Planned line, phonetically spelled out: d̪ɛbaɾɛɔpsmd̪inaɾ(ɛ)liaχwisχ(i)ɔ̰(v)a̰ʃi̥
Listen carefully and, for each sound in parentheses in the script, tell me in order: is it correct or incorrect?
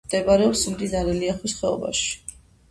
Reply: correct, incorrect, incorrect

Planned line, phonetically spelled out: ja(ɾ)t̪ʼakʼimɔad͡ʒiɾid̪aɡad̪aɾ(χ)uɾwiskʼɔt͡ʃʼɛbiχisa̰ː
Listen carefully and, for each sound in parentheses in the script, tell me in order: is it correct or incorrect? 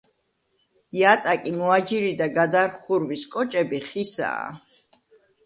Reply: incorrect, correct

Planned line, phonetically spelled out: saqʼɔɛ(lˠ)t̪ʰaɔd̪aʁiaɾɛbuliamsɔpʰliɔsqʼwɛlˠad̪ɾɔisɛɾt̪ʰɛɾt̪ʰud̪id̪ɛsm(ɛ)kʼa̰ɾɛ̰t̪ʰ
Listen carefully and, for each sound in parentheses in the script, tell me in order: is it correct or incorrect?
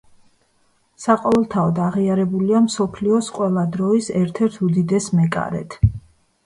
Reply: correct, correct

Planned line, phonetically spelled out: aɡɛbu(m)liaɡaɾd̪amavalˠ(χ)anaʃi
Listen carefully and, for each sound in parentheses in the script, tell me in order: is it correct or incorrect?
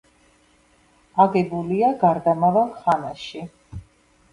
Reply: incorrect, correct

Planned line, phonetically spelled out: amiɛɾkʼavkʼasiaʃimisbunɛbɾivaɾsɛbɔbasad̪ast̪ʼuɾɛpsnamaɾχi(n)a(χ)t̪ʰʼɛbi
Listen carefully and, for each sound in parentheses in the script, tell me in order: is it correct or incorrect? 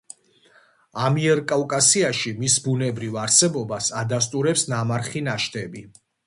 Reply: correct, incorrect

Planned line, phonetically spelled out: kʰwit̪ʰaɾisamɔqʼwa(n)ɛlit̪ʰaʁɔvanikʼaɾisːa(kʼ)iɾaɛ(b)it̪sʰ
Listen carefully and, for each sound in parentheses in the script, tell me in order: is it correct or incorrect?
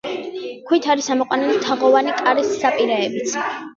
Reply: correct, incorrect, correct

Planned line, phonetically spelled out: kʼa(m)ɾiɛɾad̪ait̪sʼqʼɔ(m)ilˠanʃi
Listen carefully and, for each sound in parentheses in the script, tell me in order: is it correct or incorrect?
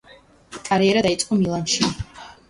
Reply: incorrect, correct

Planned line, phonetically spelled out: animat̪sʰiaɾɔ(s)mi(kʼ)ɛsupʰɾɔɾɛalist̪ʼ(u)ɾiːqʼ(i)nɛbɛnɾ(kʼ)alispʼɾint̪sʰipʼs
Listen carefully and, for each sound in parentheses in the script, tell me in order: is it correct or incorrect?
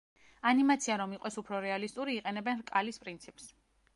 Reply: incorrect, incorrect, correct, incorrect, correct

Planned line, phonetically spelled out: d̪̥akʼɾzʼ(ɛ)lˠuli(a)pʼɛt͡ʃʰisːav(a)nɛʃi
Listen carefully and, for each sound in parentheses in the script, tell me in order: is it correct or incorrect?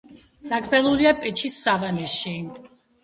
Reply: correct, correct, correct

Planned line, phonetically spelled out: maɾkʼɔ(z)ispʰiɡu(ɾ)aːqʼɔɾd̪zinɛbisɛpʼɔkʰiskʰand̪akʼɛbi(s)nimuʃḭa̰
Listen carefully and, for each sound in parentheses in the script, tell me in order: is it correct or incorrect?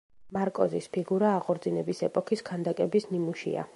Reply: correct, correct, correct

